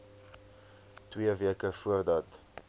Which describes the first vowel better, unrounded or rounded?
unrounded